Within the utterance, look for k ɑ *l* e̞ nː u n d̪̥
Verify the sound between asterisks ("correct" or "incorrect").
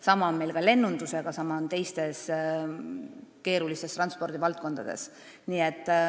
correct